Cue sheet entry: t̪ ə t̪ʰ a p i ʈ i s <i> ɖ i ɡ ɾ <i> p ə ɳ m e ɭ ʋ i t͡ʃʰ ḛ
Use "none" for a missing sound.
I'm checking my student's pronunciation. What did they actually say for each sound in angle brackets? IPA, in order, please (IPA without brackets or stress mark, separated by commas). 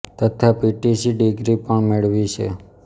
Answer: i, i